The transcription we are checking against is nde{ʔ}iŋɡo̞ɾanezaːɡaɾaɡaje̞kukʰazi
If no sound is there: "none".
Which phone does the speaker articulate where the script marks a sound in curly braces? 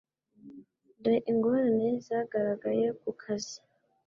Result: ʔ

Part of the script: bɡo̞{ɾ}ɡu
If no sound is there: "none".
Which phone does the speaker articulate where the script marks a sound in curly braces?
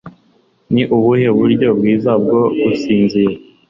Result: none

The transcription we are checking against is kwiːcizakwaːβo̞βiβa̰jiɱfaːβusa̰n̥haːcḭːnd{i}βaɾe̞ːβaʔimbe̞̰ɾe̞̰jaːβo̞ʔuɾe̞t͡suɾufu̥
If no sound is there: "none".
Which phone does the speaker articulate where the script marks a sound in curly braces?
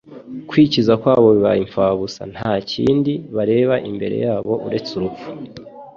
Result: i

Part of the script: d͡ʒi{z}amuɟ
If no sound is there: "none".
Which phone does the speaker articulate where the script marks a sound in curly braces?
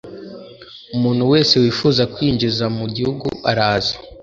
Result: z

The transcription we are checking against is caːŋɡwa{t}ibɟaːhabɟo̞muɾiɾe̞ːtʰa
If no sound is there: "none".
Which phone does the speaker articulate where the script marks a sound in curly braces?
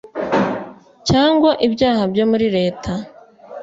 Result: ʔ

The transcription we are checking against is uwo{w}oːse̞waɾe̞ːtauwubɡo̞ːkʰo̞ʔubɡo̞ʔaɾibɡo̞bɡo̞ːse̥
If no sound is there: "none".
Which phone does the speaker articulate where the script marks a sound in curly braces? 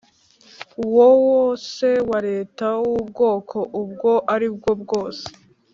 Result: w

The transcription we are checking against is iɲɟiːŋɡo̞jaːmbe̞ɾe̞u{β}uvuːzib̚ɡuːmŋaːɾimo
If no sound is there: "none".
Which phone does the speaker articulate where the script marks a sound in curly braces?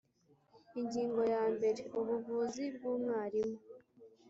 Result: β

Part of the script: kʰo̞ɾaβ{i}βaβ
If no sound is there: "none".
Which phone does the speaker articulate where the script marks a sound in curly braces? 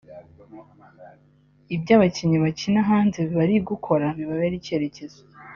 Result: i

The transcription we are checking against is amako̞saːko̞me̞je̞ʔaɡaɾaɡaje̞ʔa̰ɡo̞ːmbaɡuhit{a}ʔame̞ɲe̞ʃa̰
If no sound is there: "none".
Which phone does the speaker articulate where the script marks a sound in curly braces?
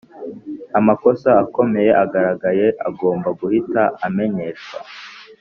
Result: a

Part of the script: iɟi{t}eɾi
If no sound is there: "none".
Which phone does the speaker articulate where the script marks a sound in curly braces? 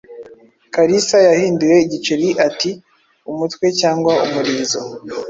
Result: t͡ʃ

